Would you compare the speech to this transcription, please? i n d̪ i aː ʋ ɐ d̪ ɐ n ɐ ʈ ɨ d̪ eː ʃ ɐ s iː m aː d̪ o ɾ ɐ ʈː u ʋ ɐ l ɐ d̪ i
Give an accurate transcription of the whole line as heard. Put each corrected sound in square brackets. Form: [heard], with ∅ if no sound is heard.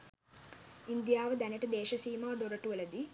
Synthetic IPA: i n d̪ [j] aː ʋ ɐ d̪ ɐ n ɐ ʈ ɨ d̪ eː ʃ ɐ s iː m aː d̪ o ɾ ɐ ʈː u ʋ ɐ l ɐ d̪ i